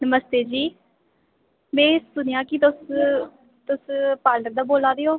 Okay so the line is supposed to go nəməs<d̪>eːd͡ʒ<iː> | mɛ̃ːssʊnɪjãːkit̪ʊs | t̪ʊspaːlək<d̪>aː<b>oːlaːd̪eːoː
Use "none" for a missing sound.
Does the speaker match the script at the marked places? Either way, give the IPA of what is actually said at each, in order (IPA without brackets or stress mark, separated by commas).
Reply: t̪, iː, d̪, b